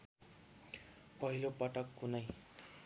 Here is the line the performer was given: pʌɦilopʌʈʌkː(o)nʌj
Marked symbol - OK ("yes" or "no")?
no